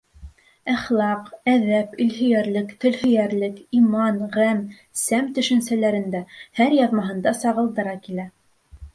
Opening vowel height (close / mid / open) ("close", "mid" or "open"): open